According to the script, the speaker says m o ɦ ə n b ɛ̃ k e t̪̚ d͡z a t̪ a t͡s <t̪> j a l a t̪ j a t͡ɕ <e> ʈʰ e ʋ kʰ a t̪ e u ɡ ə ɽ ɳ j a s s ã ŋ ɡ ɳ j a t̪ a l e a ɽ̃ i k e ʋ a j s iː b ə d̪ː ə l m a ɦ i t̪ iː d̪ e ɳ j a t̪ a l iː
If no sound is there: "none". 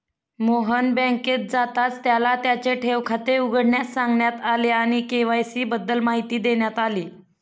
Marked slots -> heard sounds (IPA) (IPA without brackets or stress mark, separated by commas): t̪, e